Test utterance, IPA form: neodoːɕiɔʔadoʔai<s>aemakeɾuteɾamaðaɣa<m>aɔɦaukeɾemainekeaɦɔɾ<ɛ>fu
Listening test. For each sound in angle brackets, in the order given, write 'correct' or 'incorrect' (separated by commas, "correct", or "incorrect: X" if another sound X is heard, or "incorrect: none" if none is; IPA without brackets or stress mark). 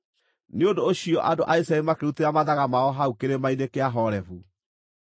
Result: correct, correct, correct